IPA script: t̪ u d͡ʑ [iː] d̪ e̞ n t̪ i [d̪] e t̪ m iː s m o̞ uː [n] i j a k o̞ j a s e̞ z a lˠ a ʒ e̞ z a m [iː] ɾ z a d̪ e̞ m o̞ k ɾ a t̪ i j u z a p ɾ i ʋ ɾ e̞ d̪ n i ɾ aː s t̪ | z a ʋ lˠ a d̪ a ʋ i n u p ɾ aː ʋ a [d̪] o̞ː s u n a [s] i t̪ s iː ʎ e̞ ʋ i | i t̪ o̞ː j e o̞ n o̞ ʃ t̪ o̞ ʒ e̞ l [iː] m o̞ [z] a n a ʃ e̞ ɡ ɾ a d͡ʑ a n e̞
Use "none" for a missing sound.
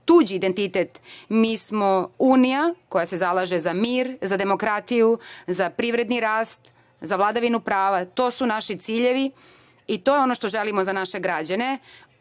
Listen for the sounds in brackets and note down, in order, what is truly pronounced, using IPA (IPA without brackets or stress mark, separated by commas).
iː, t̪, n, iː, t̪, ʃ, i, z